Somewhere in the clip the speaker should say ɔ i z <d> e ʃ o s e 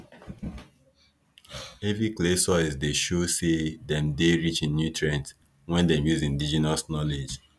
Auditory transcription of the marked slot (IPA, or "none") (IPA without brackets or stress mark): d